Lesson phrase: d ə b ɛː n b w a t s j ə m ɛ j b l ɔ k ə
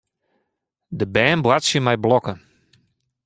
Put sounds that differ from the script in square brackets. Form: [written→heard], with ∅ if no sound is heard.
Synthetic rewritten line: d ə b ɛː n b w a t s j ə m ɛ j b l ɔ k ə